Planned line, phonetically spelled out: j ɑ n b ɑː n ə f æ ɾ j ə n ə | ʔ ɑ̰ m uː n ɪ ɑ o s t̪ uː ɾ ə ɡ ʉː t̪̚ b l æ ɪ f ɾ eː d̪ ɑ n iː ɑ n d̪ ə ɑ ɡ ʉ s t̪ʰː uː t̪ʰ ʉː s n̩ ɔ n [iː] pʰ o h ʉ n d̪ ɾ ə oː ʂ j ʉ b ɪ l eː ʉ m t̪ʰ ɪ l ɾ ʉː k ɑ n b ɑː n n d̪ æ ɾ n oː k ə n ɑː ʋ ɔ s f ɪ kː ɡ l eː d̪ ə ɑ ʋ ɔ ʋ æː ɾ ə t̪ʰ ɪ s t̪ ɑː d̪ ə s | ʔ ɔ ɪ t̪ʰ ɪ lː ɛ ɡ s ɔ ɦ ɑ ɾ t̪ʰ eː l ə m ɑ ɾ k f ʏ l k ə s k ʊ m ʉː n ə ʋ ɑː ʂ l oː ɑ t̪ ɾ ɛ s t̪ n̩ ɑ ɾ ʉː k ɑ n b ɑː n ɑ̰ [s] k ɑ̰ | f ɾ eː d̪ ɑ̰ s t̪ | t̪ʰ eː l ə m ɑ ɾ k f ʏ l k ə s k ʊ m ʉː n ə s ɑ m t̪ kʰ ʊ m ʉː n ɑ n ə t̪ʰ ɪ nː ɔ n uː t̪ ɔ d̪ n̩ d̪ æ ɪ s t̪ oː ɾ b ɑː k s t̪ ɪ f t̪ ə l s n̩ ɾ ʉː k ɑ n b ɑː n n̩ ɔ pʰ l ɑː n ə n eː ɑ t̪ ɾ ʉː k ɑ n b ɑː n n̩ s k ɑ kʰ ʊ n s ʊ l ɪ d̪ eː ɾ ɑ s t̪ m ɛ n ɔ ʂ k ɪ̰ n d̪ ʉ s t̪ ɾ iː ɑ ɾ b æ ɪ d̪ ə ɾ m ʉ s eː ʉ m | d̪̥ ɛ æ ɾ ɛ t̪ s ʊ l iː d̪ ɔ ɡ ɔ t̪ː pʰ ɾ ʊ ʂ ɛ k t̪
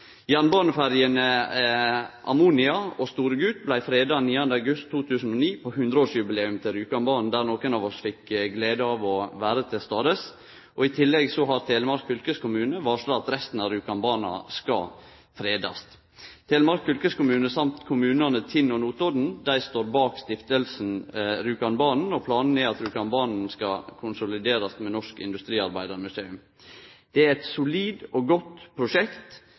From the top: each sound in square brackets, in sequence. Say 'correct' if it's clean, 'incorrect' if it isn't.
correct, correct

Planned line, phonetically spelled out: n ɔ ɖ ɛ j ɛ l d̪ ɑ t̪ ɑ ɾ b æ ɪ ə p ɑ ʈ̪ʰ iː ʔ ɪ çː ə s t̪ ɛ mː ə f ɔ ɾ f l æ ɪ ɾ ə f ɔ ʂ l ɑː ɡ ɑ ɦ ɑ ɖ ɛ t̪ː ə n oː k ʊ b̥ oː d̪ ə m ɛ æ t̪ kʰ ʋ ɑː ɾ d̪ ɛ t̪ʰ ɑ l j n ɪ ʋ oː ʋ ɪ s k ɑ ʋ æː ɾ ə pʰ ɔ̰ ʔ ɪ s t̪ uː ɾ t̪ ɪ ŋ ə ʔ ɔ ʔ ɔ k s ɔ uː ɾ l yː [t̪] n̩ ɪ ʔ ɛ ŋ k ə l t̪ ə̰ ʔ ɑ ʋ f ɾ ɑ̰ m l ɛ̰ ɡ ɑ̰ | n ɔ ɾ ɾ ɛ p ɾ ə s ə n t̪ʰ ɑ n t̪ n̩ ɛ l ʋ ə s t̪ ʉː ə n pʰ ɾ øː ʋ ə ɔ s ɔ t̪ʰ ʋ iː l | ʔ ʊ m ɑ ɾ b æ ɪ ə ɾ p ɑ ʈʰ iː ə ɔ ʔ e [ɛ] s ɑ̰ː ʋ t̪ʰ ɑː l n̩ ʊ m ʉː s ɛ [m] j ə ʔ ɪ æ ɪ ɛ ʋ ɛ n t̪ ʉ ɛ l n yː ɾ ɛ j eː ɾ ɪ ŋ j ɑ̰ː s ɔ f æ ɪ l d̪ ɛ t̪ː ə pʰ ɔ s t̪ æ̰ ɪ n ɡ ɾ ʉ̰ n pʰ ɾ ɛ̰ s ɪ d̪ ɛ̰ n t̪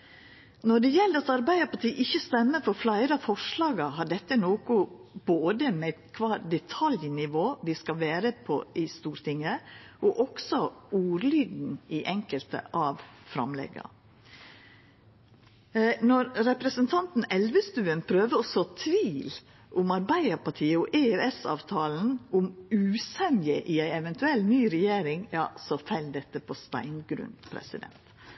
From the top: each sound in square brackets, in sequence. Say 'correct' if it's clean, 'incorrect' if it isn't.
incorrect, correct, incorrect

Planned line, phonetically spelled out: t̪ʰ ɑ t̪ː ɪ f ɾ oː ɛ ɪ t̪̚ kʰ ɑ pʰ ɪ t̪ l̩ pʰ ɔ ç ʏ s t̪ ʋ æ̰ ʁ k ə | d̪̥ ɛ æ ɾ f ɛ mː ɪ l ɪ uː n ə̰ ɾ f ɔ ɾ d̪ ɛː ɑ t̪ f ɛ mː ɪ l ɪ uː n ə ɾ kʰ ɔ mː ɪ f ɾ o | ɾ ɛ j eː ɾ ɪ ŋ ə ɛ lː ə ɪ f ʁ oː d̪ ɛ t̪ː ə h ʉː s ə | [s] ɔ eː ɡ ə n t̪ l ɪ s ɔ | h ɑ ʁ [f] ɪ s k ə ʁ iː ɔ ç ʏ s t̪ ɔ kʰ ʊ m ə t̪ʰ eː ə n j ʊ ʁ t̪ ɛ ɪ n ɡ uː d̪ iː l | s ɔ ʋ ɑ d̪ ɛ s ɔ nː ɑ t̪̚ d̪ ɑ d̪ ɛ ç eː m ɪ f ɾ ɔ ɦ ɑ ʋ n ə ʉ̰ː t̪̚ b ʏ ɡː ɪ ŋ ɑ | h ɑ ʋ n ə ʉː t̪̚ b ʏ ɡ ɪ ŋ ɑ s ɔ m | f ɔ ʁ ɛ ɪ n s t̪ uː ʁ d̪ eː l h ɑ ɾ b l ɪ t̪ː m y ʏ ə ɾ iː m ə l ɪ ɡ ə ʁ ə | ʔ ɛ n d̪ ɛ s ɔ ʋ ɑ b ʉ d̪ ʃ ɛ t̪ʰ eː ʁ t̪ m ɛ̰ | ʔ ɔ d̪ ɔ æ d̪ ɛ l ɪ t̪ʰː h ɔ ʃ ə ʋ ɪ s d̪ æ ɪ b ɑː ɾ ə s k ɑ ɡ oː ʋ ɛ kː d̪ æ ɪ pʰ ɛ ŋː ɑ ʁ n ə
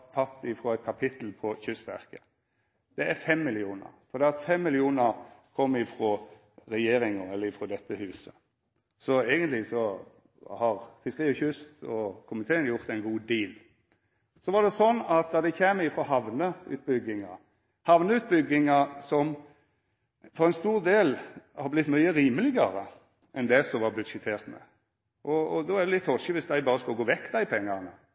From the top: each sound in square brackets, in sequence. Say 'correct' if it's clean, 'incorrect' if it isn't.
correct, correct

